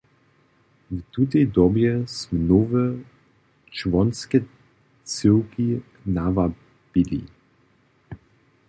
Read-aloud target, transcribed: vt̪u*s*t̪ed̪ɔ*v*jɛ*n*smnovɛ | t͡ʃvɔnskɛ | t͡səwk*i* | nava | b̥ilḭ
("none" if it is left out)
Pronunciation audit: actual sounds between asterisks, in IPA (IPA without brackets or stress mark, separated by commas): none, b, none, i